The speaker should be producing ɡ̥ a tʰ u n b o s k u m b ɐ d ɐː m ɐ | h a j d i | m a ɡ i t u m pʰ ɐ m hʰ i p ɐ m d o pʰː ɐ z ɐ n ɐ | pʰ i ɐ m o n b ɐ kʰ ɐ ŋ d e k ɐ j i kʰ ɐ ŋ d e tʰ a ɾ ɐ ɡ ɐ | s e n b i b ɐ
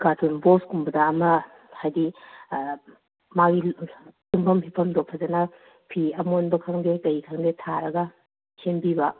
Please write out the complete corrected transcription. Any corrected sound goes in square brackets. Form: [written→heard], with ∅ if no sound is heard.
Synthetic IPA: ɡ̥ a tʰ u n b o s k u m b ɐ d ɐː m ɐ | h a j d i | m a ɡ i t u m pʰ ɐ m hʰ i [p→pʰ] ɐ m d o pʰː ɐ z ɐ n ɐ | pʰ i ɐ m o n b ɐ kʰ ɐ ŋ d e k ɐ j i kʰ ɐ ŋ d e tʰ a ɾ ɐ ɡ ɐ | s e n b i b ɐ